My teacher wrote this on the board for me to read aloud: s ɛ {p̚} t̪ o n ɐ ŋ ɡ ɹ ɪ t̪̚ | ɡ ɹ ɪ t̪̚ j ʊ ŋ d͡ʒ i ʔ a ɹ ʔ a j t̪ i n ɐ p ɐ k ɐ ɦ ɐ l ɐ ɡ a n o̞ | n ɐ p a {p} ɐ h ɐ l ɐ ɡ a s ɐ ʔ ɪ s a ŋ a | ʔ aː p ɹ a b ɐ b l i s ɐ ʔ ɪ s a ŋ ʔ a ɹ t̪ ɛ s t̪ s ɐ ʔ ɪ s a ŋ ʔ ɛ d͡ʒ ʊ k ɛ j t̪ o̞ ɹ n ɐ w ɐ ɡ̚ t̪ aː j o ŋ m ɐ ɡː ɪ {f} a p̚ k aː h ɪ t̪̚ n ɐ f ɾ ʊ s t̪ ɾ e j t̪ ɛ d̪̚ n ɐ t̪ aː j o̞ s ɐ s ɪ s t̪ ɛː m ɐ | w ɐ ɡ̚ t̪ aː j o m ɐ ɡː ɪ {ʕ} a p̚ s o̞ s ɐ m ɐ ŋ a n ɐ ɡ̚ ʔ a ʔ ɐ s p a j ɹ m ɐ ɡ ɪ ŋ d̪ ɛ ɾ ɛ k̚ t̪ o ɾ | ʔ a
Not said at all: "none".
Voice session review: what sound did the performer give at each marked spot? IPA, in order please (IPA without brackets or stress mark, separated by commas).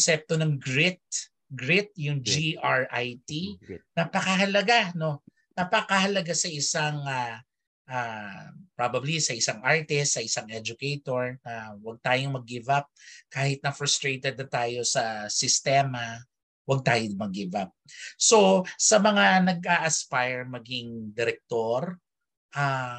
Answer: p̚, k, v, v